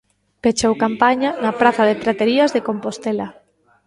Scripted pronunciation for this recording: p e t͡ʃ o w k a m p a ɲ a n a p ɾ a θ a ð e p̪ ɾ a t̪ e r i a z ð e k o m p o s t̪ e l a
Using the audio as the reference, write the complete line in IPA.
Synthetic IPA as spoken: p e t͡ʃ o w k a m p a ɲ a n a p ɾ a θ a ð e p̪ ɾ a t̪ e ɾ i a z ð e k o m p o s t̪ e l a